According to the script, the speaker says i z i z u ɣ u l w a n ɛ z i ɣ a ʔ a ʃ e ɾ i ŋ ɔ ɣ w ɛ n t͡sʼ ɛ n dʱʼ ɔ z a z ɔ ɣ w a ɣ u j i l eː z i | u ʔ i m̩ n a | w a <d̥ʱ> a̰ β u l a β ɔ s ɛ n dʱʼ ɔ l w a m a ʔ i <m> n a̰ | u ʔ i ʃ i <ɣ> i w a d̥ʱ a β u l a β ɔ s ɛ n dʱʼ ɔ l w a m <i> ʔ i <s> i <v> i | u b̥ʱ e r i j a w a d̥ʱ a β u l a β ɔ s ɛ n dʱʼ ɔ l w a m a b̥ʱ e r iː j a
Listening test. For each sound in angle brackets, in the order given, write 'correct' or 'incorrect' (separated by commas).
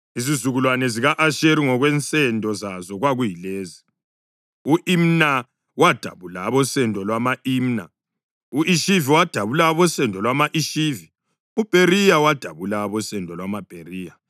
correct, correct, incorrect, incorrect, incorrect, correct